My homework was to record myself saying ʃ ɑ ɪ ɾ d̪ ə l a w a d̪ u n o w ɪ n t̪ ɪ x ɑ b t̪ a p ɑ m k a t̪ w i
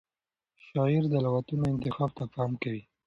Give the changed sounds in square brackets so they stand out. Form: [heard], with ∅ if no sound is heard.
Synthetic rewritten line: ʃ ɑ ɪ ɾ d̪ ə l a w a [t̪] u n o [∅] ɪ n t̪ ɪ x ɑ b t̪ a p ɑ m k a [∅] w i